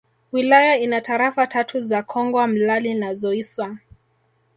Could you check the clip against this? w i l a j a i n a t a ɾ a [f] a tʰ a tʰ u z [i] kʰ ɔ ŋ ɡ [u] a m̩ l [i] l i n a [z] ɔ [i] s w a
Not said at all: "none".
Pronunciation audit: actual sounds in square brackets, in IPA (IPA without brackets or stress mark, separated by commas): f, a, w, a, z, i